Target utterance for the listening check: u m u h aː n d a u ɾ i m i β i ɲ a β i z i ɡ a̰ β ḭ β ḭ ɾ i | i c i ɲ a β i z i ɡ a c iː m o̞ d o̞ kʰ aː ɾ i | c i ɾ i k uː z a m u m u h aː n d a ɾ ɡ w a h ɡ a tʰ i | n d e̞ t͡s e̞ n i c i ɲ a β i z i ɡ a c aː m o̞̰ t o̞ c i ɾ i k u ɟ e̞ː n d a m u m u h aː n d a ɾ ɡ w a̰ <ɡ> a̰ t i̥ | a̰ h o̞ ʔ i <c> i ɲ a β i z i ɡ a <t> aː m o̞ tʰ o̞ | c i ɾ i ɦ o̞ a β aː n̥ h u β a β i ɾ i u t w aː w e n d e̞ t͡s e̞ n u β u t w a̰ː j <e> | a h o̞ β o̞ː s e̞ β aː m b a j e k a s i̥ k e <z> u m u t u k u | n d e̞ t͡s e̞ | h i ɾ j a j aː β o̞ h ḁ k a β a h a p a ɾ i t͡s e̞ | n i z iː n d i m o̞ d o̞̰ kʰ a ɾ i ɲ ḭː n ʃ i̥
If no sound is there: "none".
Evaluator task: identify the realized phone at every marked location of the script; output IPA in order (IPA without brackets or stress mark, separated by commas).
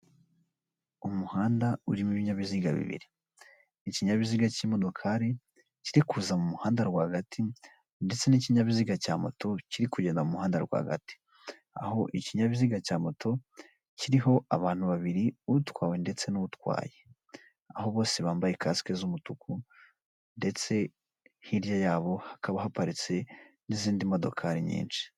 ɡ, c, c, e, z